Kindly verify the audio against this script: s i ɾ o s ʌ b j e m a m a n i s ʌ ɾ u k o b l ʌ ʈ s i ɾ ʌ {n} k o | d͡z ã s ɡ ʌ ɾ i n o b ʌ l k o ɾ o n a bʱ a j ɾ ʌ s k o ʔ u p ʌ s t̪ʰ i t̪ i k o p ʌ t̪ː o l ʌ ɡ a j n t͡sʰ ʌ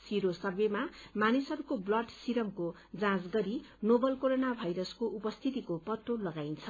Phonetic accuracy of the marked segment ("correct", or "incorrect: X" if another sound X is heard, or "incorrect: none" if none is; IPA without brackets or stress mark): incorrect: m